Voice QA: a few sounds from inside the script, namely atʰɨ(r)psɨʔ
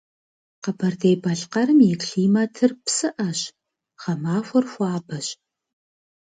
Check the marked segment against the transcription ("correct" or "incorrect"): correct